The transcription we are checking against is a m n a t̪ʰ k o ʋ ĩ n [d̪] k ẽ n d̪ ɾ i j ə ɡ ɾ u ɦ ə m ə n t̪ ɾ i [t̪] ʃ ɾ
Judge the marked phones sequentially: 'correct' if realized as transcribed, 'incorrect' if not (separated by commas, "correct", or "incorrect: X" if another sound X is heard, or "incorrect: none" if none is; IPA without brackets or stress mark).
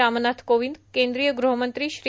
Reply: correct, incorrect: none